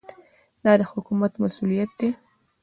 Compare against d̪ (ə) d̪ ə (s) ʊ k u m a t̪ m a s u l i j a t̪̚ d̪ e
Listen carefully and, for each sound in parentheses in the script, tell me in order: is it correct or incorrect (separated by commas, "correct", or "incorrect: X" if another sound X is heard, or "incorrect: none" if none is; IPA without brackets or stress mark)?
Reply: incorrect: ɑ, incorrect: h